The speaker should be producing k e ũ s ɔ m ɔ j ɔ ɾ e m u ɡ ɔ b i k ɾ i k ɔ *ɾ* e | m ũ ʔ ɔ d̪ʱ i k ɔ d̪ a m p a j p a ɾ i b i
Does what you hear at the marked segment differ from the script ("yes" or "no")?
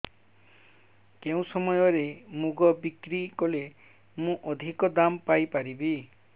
yes